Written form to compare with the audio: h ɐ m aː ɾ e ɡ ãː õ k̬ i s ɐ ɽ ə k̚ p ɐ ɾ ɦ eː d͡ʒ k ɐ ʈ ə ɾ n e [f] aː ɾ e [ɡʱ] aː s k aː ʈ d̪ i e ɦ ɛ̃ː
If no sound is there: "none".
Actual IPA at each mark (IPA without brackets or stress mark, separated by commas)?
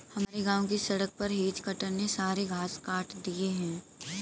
s, ɡʱ